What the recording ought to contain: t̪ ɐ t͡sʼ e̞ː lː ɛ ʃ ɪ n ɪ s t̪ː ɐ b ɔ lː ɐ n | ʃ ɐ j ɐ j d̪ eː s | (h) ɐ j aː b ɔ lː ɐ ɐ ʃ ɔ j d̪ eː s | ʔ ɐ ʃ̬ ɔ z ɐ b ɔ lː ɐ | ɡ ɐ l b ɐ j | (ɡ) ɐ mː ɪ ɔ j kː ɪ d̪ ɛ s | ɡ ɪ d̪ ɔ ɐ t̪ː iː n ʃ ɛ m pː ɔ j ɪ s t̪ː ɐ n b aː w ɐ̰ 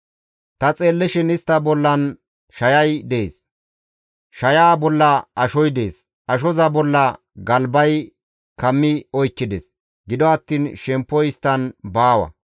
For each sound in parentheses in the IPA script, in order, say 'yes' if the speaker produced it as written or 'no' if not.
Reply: no, no

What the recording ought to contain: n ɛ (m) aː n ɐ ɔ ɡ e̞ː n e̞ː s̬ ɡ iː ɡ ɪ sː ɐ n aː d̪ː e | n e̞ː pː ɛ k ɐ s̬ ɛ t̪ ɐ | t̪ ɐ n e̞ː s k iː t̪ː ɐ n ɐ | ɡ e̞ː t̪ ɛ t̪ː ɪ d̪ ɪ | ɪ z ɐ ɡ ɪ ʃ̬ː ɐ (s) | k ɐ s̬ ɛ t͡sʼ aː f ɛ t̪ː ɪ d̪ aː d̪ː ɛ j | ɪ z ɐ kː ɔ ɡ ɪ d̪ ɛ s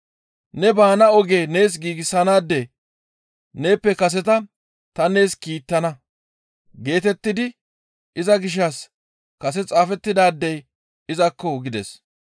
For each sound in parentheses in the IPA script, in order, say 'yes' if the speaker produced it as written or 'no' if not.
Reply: no, yes

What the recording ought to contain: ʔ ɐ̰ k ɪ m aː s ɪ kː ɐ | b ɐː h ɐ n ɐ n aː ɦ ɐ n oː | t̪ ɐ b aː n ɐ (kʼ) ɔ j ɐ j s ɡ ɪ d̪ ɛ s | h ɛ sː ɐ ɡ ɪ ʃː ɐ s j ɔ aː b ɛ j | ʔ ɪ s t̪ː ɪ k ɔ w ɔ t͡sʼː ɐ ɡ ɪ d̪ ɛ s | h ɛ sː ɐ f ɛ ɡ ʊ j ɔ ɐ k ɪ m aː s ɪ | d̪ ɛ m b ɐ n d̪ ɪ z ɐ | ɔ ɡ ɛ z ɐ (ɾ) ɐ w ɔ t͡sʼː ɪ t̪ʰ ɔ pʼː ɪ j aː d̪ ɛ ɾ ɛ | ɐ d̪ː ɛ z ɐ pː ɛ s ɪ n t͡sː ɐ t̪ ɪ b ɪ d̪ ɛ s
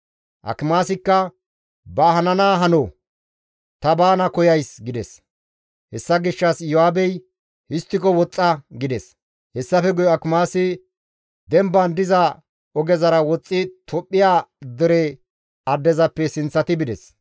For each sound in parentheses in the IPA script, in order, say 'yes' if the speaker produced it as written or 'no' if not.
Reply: no, yes

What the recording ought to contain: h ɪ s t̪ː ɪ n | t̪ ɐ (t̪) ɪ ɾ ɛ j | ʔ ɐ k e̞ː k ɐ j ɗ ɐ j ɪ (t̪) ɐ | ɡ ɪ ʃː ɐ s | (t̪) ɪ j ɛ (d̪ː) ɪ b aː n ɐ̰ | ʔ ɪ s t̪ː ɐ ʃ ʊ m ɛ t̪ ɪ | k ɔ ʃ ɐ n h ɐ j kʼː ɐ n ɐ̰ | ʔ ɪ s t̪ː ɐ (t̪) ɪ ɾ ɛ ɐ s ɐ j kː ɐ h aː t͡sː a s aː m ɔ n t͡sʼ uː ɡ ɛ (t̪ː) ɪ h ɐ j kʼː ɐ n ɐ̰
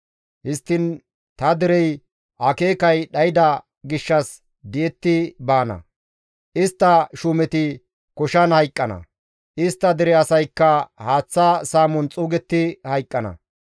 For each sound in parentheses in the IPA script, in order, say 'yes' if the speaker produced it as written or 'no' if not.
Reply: no, no, no, no, no, yes

